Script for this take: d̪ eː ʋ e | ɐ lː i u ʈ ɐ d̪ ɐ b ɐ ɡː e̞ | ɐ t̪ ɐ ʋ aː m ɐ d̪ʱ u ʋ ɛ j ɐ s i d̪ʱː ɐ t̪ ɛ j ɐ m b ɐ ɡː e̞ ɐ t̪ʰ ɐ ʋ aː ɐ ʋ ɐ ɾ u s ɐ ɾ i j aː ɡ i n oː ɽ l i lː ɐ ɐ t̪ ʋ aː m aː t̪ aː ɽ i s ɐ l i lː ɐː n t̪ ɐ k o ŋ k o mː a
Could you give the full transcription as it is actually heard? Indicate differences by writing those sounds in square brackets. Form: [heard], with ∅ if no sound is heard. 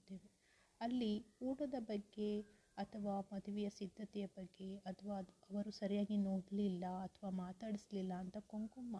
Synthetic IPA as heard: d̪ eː ʋ e | ɐ lː i [uː] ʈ ɐ d̪ ɐ b ɐ ɡː e̞ | ɐ [t̪ʰ] ɐ ʋ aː m ɐ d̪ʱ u ʋ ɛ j ɐ s i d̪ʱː ɐ t̪ ɛ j ɐ [∅] b ɐ ɡː e̞ ɐ t̪ʰ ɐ ʋ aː ɐ ʋ ɐ ɾ u s ɐ ɾ i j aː ɡ i n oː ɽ l i lː ɐ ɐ [t̪ʰ] ʋ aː m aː t̪ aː ɽ i s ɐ l i lː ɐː n t̪ ɐ k o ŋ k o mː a